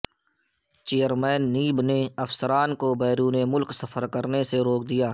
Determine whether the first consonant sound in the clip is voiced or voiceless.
voiceless